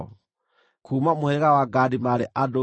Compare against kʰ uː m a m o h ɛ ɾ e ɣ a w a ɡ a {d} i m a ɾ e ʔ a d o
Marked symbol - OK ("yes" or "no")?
yes